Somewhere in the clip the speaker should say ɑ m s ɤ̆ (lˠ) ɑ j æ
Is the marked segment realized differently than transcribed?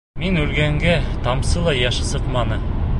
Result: no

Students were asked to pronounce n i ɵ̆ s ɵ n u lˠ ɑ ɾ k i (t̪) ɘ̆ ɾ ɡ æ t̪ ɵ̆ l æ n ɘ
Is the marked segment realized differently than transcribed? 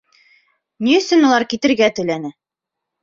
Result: no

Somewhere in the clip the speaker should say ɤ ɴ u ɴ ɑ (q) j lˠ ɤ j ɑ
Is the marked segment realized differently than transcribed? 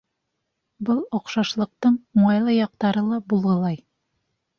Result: yes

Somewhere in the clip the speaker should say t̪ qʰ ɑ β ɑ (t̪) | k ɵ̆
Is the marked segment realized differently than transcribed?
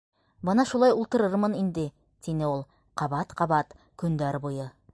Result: no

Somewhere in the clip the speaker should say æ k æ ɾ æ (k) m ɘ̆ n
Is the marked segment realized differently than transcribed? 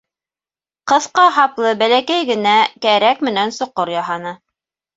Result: no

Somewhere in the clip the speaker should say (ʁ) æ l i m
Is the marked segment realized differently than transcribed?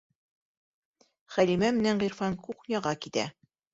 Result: yes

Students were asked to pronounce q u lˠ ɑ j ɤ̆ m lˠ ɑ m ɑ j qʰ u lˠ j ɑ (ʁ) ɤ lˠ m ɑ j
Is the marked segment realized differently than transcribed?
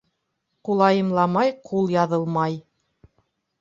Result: yes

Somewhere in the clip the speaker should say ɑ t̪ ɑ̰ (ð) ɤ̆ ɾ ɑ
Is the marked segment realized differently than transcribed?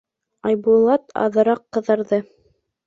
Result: no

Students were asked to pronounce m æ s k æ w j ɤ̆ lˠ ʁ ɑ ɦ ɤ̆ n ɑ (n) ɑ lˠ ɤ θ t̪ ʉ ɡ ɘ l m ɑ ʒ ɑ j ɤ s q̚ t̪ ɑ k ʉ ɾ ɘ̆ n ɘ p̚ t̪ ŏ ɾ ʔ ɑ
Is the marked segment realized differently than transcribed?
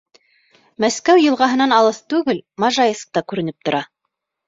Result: no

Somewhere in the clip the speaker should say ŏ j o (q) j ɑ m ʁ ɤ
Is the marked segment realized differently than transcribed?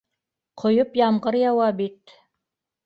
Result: yes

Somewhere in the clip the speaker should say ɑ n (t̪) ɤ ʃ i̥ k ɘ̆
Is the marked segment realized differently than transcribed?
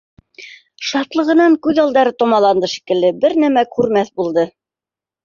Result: yes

